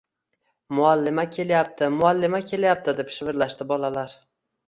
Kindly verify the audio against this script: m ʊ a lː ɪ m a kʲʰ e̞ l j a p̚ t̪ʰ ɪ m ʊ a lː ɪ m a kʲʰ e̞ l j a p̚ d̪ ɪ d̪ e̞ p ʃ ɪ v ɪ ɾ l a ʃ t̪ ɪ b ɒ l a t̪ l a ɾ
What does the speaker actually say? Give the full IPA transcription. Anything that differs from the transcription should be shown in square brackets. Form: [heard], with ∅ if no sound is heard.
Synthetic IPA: m ʊ a lː ɪ m a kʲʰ e̞ l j a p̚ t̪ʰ ɪ m ʊ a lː ɪ m a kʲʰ e̞ l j a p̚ [t̪] ɪ d̪ e̞ p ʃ ɪ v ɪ ɾ l a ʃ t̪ ɪ b ɒ l a [∅] l a ɾ